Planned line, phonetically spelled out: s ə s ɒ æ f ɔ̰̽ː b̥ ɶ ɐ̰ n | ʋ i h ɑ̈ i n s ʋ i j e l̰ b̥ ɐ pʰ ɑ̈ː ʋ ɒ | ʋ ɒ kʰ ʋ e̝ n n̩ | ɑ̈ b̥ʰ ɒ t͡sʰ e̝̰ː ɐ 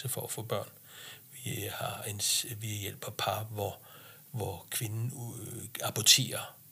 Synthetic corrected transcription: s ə f ɒ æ f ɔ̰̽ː b̥ ɶ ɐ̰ n | ʋ i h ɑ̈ e n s ʋ i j e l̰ b̥ ɐ pʰ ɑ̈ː ʋ ɒ | ʋ ɒ kʰ ʋ e̝ n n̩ | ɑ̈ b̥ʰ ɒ t͡sʰ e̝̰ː ɐ